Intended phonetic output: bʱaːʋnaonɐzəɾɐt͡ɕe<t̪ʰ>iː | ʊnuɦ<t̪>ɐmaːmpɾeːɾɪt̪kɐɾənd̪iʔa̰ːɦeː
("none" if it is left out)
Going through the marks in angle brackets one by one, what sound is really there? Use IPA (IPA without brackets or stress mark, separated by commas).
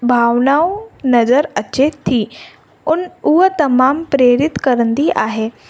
t̪ʰ, t̪